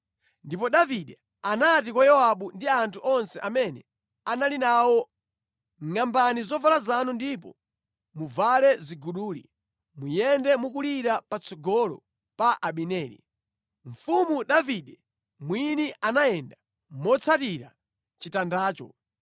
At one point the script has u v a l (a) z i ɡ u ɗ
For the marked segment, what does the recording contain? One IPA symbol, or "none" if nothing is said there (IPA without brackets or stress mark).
ɛ